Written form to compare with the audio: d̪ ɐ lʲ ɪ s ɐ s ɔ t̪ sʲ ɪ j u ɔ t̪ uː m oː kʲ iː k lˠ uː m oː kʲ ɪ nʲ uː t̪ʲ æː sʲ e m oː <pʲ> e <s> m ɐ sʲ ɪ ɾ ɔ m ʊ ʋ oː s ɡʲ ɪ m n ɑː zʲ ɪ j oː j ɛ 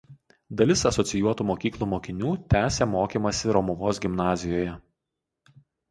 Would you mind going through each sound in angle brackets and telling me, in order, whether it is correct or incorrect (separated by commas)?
incorrect, incorrect